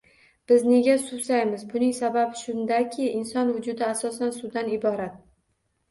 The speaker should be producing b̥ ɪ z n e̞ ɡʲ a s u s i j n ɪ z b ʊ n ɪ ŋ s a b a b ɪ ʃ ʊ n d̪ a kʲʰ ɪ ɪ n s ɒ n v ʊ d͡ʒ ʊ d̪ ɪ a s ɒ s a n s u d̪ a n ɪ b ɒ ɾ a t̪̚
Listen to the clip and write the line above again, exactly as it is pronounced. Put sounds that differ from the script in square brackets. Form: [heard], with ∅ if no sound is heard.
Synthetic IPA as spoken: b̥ ɪ z n e̞ ɡʲ a s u s [a] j [m] ɪ z b ʊ n ɪ ŋ s a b a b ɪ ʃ ʊ n d̪ a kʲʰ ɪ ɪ n s ɒ n v ʊ d͡ʒ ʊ d̪ ɪ a s ɒ s a n s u d̪ a n ɪ b ɒ ɾ a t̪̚

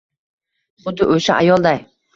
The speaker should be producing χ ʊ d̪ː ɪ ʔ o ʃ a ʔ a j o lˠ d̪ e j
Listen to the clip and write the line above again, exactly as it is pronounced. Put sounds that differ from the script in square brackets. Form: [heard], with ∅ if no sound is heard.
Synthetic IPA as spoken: χ ʊ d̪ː ɪ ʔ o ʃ a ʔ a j [ɒ] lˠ d̪ [a] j

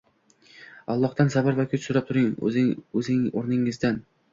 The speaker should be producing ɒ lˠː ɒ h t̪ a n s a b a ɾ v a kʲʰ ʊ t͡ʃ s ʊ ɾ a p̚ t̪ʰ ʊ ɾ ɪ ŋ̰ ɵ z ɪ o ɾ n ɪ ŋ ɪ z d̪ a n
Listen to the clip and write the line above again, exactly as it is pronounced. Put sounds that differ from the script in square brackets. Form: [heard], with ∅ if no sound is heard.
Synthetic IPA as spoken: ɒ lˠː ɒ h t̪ a n s a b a ɾ v a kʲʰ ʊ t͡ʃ s ʊ ɾ a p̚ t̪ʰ ʊ ɾ ɪ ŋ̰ ɵ z ɪ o ɾ n ɪ ŋ ɪ z d̪ a n

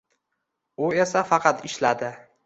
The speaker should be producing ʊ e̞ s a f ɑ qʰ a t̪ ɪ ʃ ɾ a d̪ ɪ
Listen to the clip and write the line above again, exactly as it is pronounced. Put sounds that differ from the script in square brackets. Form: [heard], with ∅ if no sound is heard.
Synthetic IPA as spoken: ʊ e̞ s a f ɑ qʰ [ɑ] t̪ ɪ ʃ [l] a d̪ ɪ

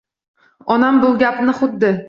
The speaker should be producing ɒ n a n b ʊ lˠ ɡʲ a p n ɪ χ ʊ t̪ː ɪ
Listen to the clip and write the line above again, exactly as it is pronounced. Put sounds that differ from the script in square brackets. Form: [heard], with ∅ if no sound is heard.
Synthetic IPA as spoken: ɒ n a [m] b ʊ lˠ ɡʲ a p n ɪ χ ʊ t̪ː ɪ

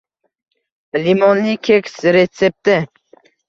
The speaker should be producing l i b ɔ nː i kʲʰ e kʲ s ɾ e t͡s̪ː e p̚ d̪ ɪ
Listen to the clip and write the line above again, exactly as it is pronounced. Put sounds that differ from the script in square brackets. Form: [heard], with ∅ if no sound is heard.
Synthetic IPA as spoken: l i [m] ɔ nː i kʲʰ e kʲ s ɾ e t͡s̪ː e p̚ [t̪] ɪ

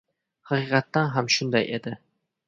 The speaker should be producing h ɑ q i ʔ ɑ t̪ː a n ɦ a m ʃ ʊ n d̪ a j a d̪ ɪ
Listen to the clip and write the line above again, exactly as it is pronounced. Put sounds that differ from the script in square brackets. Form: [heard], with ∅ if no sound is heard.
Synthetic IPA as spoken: h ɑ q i [q] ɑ t̪ː a n ɦ a m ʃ ʊ n d̪ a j [e] d̪ ɪ

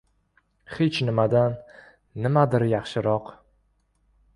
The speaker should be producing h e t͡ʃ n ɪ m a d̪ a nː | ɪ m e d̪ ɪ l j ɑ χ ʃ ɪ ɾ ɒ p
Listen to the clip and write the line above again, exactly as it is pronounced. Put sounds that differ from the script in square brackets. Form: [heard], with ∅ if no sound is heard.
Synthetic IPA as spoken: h e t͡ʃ n ɪ m a d̪ a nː | ɪ m [a] d̪ ɪ [ɾ] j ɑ χ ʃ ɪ ɾ ɒ [q]

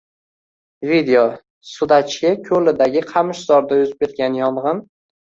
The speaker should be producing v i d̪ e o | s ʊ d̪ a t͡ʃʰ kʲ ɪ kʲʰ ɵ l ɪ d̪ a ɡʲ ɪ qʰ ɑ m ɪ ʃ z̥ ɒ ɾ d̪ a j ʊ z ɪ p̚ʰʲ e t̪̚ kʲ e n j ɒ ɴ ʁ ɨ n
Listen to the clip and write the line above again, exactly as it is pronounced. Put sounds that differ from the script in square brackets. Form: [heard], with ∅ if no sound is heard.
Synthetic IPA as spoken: v i d̪ e o | s ʊ d̪ a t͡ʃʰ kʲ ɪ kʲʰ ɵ l ɪ d̪ a ɡʲ ɪ qʰ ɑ m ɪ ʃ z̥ ɒ ɾ d̪ a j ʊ z ɪ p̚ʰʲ e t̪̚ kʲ [a] n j ɒ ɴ ʁ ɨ n

